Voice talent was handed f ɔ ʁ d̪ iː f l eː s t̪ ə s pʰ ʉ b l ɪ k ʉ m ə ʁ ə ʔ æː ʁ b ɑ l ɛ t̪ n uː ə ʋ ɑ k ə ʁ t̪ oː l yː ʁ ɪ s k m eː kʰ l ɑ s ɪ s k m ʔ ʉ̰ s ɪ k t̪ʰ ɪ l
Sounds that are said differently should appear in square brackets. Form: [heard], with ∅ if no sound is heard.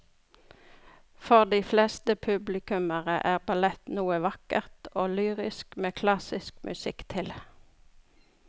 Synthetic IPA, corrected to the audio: f ɔ ʁ d̪ iː f l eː s t̪ ə [∅] pʰ ʉ b l ɪ k ʉ m ə ʁ ə ʔ æː ʁ b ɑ l ɛ t̪ n uː ə ʋ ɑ k ə ʁ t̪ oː l yː ʁ ɪ s k m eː kʰ l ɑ s ɪ s k m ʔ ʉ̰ s ɪ k t̪ʰ ɪ l

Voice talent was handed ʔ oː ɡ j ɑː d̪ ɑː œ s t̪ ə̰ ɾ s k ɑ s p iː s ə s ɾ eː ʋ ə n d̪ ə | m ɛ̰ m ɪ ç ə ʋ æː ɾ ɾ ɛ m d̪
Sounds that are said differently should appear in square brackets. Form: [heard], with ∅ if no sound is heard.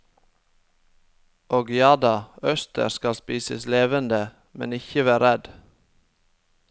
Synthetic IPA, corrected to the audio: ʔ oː ɡ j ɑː d̪ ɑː œ s t̪ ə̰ ɾ s k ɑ s p iː s ə s [l] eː ʋ ə n d̪ ə | m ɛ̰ [n] ɪ ç ə ʋ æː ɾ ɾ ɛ [∅] d̪

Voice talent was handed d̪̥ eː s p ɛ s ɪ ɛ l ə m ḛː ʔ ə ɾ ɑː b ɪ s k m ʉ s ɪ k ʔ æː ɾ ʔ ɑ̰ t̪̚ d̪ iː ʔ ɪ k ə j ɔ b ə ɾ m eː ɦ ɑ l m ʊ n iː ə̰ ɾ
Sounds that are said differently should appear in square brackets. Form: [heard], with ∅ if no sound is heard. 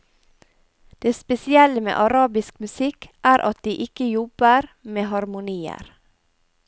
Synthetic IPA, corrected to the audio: d̪̥ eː s p ɛ s ɪ ɛ l ə m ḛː ʔ [ɑ] ɾ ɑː b ɪ s k m ʉ s ɪ k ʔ æː ɾ ʔ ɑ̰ t̪̚ d̪ iː ʔ ɪ k ə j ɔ b ə ɾ m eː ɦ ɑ [ɾ] m ʊ n iː ə̰ ɾ

